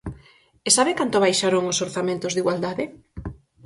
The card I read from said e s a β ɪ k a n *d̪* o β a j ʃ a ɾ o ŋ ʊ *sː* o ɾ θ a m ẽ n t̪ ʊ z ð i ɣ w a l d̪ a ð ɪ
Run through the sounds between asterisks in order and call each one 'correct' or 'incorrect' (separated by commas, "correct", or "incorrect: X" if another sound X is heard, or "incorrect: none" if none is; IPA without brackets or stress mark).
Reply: incorrect: t̪, incorrect: s